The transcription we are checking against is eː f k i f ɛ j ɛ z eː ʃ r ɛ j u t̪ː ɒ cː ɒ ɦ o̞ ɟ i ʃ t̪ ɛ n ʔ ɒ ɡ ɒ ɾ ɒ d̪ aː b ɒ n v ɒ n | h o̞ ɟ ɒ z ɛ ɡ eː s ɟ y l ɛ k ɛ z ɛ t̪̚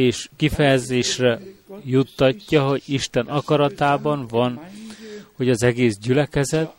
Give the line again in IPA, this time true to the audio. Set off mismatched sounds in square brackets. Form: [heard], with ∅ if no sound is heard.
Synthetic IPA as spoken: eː [ʃ] k i f ɛ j ɛ z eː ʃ r ɛ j u t̪ː ɒ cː ɒ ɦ o̞ ɟ i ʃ t̪ ɛ n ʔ ɒ [k] ɒ ɾ ɒ [t̪] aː b ɒ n v ɒ n | h o̞ ɟ ɒ z ɛ ɡ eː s ɟ y l ɛ k ɛ z ɛ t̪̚